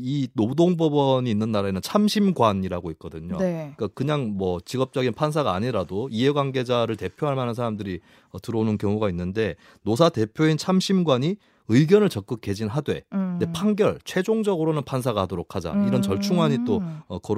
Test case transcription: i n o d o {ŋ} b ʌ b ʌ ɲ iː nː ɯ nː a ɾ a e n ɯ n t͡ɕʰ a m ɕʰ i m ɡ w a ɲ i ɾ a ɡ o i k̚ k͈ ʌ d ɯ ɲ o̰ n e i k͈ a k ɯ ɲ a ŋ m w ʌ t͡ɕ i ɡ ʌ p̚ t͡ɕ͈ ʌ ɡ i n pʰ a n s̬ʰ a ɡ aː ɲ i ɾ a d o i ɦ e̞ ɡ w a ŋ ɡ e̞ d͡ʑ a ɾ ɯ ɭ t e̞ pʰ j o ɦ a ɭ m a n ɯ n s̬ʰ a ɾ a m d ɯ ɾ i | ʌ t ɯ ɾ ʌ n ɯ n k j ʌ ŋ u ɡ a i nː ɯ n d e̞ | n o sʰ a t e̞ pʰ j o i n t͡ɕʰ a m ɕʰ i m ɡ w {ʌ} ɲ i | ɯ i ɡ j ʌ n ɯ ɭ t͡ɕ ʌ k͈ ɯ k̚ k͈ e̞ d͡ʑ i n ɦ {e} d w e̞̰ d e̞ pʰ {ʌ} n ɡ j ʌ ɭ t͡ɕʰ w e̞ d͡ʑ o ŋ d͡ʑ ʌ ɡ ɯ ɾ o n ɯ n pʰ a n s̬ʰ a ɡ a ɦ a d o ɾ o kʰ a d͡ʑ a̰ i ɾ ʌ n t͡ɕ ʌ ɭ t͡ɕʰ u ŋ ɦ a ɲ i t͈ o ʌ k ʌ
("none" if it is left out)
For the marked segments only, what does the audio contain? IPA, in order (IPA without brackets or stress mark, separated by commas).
ŋ, a, a, a